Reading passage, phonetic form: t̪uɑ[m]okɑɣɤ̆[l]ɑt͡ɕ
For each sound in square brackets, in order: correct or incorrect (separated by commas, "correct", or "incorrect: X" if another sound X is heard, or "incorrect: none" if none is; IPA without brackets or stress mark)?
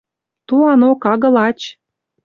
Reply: incorrect: n, correct